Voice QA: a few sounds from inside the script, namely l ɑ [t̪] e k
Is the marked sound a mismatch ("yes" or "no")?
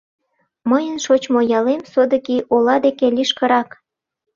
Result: yes